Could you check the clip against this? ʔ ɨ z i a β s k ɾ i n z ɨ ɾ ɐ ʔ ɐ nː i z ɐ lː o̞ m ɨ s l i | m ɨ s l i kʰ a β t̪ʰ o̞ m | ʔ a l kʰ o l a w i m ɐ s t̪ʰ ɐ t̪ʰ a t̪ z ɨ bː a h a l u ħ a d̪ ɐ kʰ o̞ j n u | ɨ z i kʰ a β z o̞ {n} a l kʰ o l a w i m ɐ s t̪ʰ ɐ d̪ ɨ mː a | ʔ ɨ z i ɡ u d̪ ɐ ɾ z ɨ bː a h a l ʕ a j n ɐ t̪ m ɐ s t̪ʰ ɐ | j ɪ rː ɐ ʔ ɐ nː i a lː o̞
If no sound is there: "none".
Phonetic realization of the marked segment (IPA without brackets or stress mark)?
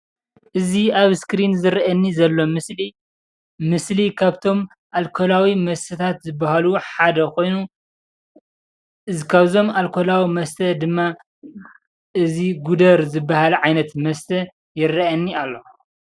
m